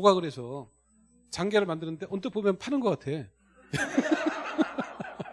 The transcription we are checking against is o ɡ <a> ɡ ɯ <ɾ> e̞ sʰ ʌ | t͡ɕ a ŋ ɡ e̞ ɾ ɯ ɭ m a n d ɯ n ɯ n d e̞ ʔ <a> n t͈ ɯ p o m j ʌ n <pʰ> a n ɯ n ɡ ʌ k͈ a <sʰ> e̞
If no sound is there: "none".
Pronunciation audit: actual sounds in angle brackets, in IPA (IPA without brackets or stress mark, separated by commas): a, ɾ, ʌ, pʰ, tʰ